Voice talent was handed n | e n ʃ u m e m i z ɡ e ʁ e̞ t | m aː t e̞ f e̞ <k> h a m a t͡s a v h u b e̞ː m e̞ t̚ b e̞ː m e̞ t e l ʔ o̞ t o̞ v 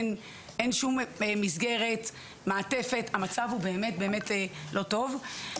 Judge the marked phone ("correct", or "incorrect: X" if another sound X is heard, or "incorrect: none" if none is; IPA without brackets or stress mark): incorrect: t